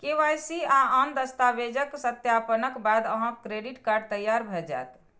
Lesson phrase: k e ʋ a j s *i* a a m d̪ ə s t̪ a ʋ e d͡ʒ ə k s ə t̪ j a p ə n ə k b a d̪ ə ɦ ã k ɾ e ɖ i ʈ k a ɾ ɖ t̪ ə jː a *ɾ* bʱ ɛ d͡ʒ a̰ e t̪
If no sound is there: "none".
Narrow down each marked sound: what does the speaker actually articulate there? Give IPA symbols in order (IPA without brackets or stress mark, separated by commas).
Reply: i, ɾ